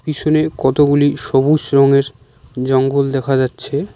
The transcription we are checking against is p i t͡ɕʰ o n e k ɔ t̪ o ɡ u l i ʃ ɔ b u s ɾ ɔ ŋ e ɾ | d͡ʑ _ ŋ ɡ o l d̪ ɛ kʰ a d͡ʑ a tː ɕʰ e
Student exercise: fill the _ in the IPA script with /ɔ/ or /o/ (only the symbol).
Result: ɔ